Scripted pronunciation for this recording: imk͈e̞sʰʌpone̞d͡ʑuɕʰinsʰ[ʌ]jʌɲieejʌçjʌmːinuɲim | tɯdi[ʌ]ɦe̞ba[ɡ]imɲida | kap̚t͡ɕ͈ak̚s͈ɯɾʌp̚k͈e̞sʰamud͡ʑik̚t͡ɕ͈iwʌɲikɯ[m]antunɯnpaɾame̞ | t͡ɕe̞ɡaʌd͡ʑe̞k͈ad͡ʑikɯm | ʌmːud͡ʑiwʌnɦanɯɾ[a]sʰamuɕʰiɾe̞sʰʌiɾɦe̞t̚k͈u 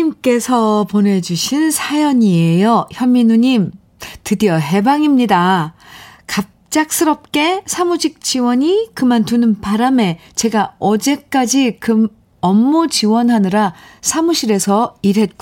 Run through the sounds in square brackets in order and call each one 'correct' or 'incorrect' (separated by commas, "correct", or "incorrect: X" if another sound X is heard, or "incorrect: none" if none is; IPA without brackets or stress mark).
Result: incorrect: a, correct, incorrect: ŋ, correct, correct